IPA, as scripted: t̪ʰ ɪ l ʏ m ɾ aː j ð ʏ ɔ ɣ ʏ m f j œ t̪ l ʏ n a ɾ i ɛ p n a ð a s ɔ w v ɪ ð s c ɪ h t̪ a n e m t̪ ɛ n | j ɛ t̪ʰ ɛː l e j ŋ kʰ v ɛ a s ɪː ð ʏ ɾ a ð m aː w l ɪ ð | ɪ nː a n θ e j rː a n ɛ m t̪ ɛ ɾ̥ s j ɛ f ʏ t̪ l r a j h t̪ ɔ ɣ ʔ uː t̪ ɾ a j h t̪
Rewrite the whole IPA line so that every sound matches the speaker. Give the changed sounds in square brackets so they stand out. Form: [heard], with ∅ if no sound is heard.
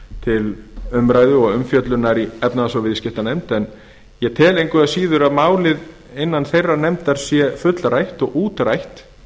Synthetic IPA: t̪ʰ ɪ l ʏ m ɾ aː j ð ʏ ɔ ɣ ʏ m f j œ t̪ l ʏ n a ɾ i ɛ p n a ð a s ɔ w v ɪ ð s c ɪ h t̪ a n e m t̪ ɛ n | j ɛ t̪ʰ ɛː l e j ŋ [k] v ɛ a s [iː] ð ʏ ɾ a ð m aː w l ɪ ð | ɪ nː a n θ e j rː a n ɛ m t̪ [a] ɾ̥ s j ɛ f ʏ t̪ l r a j h t̪ ɔ ɣ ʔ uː t̪ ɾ a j h t̪

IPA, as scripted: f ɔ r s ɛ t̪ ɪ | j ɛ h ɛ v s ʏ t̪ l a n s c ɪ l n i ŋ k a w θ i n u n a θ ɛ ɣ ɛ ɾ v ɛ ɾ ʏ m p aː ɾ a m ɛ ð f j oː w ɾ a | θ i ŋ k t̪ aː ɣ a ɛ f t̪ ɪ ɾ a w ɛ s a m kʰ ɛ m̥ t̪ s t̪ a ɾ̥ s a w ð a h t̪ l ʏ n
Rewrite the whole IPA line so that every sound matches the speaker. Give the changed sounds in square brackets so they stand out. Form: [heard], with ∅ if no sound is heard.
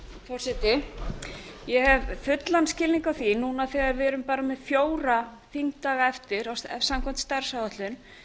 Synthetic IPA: f ɔ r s ɛ t̪ ɪ | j ɛ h ɛ v [f] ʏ t̪ l a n s c ɪ l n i ŋ k a w θ i n u n a θ ɛ ɣ [a] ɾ v ɛ ɾ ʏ m p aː ɾ a m ɛ ð f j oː w ɾ a | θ i ŋ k t̪ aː ɣ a ɛ f t̪ ɪ ɾ a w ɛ s a m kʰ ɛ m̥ t̪ s t̪ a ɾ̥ s a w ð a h t̪ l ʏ n

